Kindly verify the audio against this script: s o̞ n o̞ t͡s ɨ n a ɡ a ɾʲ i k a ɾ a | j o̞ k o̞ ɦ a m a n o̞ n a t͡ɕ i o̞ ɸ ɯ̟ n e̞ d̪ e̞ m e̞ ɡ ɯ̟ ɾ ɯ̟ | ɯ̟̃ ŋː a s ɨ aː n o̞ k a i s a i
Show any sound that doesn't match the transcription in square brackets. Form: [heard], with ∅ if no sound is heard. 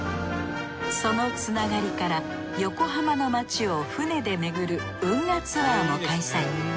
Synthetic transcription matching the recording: s o̞ n o̞ t͡s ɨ n a ɡ a ɾʲ i k a ɾ a | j o̞ k o̞ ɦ a m a n o̞ [m] a t͡ɕ i o̞ ɸ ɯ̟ n e̞ d̪ e̞ m e̞ ɡ ɯ̟ ɾ ɯ̟ | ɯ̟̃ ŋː a [t͡s] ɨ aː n o̞ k a i s a i

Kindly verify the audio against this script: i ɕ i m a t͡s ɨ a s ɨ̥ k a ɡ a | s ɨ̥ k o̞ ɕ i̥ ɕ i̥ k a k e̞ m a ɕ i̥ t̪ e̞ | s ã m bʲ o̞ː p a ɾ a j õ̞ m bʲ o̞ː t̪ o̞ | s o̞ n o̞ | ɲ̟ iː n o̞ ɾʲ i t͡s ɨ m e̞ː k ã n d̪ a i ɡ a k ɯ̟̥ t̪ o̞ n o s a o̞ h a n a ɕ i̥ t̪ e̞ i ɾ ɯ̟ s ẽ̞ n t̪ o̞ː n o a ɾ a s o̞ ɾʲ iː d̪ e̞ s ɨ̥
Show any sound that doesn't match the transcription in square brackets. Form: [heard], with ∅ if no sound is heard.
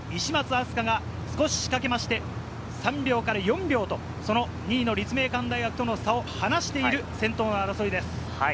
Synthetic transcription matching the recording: i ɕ i m a t͡s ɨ a s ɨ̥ k a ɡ a | s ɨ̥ k o̞ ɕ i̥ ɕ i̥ k a k e̞ m a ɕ i̥ t̪ e̞ | s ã m bʲ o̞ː [k] a ɾ a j õ̞ m bʲ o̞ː t̪ o̞ | s o̞ n o̞ | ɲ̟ iː n o̞ ɾʲ i t͡s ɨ m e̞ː k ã n d̪ a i ɡ a k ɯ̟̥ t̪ o̞ n o s a o̞ h a n a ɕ i̥ t̪ e̞ i ɾ ɯ̟ s ẽ̞ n t̪ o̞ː n o a ɾ a s o̞ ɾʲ [i] d̪ e̞ s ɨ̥

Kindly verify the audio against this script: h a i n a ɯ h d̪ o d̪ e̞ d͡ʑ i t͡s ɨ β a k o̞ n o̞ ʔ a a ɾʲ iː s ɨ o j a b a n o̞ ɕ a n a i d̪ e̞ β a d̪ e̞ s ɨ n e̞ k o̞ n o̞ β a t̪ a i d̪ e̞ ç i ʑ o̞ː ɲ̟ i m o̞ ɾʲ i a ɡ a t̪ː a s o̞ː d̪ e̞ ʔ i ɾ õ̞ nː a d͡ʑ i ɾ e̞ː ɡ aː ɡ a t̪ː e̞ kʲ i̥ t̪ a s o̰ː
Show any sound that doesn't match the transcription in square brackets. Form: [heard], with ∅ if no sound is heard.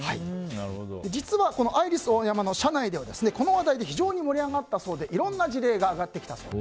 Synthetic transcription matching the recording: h a i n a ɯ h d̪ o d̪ e̞ d͡ʑ i t͡s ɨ β a k o̞ n o̞ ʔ a [i] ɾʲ [i] s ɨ o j a [m] a n o̞ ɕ a n a i d̪ e̞ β a d̪ e̞ s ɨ n e̞ k o̞ n o̞ β a [d̪] a i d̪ e̞ ç i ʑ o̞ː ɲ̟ i m o̞ ɾʲ i a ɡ a t̪ː a s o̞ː d̪ e̞ ʔ i ɾ õ̞ nː a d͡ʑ i ɾ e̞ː ɡ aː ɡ a t̪ː e̞ kʲ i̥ t̪ a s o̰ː

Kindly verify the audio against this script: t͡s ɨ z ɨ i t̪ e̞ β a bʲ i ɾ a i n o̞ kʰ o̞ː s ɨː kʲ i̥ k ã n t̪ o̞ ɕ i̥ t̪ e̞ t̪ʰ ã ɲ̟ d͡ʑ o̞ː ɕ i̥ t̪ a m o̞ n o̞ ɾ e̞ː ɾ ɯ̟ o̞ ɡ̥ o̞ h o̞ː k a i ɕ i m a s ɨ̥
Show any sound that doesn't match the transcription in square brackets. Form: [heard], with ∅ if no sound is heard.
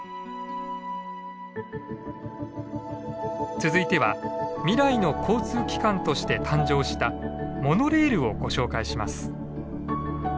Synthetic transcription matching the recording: t͡s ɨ z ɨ i t̪ e̞ β a [mʲ] i ɾ a i n o̞ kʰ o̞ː [t͡s] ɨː kʲ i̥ k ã n t̪ o̞ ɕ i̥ t̪ e̞ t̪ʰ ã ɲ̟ d͡ʑ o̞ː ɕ i̥ t̪ a m o̞ n o̞ ɾ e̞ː ɾ ɯ̟ o̞ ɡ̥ o̞ [ɕ] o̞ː k a i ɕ i m a s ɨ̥

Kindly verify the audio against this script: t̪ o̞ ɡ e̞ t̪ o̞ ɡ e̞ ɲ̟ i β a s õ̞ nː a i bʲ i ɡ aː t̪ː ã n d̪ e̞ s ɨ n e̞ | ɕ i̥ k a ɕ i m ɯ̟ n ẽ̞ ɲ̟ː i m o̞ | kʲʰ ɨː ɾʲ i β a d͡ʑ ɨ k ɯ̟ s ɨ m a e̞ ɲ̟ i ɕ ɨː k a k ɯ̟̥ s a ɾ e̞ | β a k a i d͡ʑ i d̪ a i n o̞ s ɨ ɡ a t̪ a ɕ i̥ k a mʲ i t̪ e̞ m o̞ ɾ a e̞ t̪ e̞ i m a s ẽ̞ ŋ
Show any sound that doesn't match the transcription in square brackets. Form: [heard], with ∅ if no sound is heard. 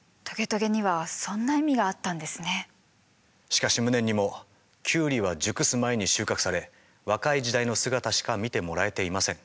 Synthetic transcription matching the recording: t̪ o̞ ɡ e̞ t̪ o̞ ɡ e̞ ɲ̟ i β a s õ̞ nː a i [mʲ] i ɡ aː t̪ː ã n d̪ e̞ s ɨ n e̞ | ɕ i̥ k a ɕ i m ɯ̟ n ẽ̞ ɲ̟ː i m o̞ | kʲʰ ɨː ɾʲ i β a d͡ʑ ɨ k ɯ̟ s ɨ m a e̞ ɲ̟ i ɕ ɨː k a k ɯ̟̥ s a ɾ e̞ | β a k a i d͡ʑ i d̪ a i n o̞ s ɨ ɡ a t̪ a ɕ i̥ k a mʲ i t̪ e̞ m o̞ ɾ a e̞ t̪ e̞ i m a s ẽ̞ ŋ

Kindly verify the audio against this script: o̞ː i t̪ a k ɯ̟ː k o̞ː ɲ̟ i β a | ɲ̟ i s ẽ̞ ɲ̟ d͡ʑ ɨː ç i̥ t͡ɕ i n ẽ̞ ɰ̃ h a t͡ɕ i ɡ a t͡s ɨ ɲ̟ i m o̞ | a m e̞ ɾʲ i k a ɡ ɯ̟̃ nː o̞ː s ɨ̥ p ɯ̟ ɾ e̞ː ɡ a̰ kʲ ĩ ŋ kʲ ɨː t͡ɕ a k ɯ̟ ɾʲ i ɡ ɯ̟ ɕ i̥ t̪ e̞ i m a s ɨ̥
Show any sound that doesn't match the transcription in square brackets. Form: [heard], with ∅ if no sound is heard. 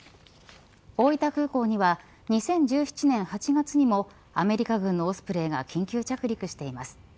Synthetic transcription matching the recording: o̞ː i t̪ a k ɯ̟ː k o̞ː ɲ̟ i β a | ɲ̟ i s ẽ̞ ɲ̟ d͡ʑ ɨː ç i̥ t͡ɕ i n ẽ̞ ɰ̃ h a t͡ɕ i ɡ a t͡s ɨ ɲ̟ i m o̞ | a m e̞ ɾʲ i k a ɡ ɯ̟̃ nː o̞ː s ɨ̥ p ɯ̟ ɾ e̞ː ɡ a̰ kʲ ĩ ŋ kʲ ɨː t͡ɕ a k ɯ̟ ɾʲ i [k] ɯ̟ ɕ i̥ t̪ e̞ i m a s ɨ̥

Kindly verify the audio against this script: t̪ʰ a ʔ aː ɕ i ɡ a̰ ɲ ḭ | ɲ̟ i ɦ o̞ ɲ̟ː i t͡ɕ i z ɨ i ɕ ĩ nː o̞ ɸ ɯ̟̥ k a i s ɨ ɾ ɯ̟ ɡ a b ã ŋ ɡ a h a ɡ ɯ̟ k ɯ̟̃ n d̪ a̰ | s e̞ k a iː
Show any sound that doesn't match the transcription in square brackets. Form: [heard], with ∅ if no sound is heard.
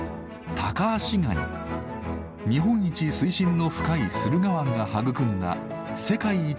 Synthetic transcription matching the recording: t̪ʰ a [k] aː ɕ i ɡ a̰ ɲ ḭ | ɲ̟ i ɦ [õ̞] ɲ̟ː i t͡ɕ i [s] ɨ i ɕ ĩ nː o̞ ɸ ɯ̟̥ k a i s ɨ ɾ ɯ̟ ɡ a [β] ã ŋ ɡ a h a ɡ ɯ̟ k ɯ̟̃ n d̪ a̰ | s e̞ k a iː

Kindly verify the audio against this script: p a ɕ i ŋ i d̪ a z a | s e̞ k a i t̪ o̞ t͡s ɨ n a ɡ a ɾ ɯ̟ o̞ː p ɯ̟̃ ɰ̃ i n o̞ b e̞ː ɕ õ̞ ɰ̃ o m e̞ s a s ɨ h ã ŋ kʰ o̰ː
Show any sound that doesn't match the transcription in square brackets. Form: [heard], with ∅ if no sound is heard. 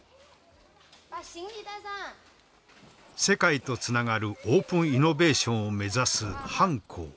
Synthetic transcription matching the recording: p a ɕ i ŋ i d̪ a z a | s e̞ k a i t̪ o̞ t͡s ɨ n a ɡ a ɾ ɯ̟ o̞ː p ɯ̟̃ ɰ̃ i n o̞ b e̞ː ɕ õ̞ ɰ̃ o m e̞ [z] a s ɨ h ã ŋ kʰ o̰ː

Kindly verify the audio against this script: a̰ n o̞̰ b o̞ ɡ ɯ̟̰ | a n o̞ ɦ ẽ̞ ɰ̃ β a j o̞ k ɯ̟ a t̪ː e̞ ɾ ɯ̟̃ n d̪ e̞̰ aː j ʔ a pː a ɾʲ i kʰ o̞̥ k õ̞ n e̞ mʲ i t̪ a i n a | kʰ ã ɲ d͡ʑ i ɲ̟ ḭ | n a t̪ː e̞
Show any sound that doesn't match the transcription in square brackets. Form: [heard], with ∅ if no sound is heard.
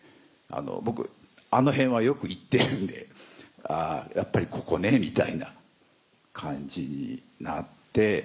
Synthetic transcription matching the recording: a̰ n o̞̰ b o̞ [k] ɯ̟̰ | a n o̞ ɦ ẽ̞ ɰ̃ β a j o̞ k ɯ̟ [i] t̪ː e̞ ɾ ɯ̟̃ n d̪ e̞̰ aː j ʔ a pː a ɾʲ i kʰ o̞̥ k [o̞] n e̞ mʲ i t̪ a i n a | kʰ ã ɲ d͡ʑ i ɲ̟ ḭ | n a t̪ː e̞

